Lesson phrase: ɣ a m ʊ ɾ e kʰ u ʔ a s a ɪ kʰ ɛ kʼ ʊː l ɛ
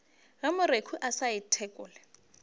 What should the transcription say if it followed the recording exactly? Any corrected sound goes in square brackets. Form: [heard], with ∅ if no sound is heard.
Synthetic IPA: ɣ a m ʊ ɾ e kʰ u ʔ a s a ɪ [tʰ] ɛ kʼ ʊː l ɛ